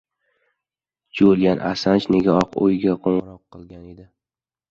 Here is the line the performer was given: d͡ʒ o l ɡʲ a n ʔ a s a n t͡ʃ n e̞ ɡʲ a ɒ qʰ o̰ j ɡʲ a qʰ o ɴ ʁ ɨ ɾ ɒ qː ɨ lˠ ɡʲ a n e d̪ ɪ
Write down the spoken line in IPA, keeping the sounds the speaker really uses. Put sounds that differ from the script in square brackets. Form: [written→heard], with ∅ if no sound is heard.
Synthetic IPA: d͡ʒ o l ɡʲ a n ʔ a s a n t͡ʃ n e̞ ɡʲ a ɒ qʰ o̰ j ɡʲ a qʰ o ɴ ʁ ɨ ɾ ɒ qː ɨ lˠ ɡʲ a n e d̪ ɪ